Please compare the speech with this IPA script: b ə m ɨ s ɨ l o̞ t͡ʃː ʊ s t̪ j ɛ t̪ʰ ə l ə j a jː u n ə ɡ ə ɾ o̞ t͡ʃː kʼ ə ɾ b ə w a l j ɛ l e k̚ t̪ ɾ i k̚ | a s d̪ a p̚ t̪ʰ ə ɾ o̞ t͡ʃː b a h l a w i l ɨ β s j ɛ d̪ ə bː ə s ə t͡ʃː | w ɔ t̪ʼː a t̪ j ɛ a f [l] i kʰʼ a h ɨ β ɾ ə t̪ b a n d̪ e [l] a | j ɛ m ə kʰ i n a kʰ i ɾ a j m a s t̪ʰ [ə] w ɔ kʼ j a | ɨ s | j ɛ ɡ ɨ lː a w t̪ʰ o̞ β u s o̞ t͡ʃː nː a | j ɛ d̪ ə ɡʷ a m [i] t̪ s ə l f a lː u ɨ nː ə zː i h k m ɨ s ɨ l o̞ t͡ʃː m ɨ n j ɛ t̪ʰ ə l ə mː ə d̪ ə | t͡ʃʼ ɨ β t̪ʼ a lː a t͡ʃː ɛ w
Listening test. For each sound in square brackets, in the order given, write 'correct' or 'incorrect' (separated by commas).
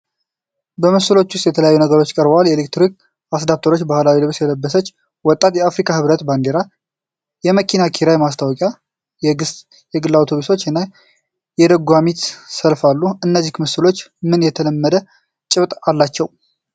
incorrect, incorrect, incorrect, correct